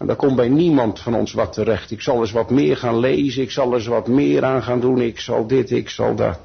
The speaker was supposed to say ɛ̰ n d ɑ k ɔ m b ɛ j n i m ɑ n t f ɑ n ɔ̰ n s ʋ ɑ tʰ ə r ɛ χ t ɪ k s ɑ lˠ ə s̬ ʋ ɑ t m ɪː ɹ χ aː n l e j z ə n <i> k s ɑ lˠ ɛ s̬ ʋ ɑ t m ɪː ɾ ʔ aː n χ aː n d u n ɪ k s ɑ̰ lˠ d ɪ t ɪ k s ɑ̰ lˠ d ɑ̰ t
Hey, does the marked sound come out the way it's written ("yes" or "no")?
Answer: no